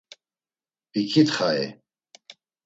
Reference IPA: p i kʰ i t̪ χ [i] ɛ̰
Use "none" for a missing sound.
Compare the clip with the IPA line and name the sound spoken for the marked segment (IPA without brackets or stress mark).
a